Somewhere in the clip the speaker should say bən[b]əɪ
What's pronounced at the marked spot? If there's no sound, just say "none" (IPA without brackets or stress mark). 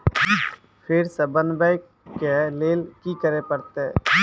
b